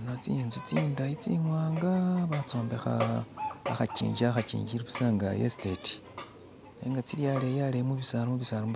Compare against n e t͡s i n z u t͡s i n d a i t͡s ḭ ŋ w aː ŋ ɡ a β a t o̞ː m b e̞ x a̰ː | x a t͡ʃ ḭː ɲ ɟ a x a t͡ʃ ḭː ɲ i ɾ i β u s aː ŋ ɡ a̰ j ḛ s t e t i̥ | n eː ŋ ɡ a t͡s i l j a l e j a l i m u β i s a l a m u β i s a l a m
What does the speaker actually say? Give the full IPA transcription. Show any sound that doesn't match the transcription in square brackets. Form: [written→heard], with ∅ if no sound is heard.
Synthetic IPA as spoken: n [e→a] t͡s i n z u t͡s i n d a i t͡s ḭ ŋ w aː ŋ ɡ a β a [t→t͡s] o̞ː m b e̞ x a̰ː | x a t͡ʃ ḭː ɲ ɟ a x a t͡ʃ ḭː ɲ i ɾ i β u s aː ŋ ɡ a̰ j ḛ s t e t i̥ | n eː ŋ ɡ a t͡s i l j a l e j a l [i→e] m u β i s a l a m u β i s a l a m